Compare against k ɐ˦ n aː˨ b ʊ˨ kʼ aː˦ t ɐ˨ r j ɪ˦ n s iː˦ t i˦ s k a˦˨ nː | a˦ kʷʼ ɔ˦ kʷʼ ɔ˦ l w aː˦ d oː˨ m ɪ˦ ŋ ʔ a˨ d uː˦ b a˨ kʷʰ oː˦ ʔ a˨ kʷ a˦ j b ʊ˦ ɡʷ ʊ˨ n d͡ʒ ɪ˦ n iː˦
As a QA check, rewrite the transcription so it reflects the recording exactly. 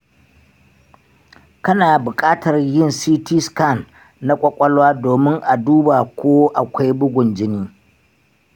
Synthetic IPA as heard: k ɐ˦ n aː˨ b ʊ˨ kʼ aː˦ t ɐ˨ r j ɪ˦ n s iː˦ t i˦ s k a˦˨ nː | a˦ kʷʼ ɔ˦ kʷʼ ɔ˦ l w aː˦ d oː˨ m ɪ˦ ŋ ʔ a˨ d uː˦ b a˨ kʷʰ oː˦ ʔ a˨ kʷ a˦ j b ʊ˦ ɡʷ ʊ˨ n d͡ʒ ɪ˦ n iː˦